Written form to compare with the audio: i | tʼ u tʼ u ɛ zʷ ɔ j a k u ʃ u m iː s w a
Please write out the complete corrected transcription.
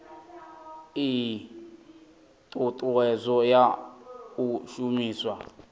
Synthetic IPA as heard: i | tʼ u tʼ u ɛ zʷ ɔ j a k u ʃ u m iː s w a